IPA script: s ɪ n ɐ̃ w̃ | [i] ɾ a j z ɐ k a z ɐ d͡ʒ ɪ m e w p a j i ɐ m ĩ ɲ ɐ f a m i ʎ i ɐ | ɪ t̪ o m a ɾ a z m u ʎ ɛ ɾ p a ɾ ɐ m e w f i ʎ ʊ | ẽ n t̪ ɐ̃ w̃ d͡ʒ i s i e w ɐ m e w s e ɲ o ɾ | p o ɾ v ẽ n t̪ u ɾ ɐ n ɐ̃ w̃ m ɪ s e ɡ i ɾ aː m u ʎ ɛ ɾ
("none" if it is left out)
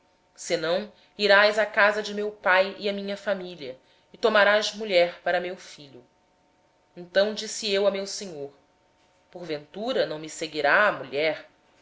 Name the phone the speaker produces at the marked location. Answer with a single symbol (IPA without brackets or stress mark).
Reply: i